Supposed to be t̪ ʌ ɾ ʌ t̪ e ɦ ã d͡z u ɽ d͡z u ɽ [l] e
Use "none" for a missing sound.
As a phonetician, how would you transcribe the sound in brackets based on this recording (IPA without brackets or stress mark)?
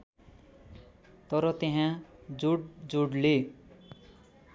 l